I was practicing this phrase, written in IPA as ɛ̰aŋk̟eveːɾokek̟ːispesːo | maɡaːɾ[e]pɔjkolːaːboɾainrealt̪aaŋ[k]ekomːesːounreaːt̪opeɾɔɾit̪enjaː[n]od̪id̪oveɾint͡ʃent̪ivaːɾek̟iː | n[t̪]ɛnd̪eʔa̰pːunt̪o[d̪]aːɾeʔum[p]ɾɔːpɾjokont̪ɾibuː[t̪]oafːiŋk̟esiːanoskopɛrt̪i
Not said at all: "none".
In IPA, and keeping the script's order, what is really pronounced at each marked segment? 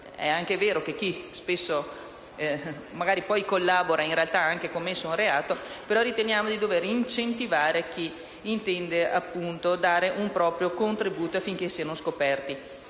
i, k, m, t̪, d̪, p, t̪

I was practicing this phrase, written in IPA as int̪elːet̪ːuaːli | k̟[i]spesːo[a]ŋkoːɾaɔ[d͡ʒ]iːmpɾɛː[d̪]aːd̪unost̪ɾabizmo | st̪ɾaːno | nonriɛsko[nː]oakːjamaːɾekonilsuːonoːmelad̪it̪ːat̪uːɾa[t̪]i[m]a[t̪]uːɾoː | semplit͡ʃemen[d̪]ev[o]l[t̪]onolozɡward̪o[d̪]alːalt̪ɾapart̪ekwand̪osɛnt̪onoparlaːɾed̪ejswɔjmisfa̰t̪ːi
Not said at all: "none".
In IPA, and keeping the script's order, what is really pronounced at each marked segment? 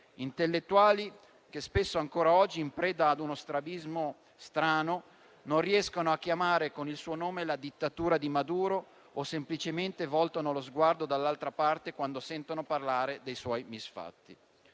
e, a, d͡ʒː, d̪, n, d̪, m, d̪, t̪, ɔ, t̪, d̪

